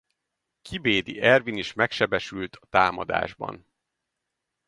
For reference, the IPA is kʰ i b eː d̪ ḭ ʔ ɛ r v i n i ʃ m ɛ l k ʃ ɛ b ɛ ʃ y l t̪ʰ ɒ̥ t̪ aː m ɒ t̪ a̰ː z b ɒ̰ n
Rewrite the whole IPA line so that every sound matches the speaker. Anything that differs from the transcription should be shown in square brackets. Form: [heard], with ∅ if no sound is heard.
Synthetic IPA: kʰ i b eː d̪ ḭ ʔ ɛ r v i n i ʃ m ɛ [∅] k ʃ ɛ b ɛ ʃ y l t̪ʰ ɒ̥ t̪ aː m ɒ [d̪] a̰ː [ʒ] b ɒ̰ n